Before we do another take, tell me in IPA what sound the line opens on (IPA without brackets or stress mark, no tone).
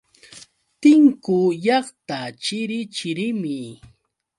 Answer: t̪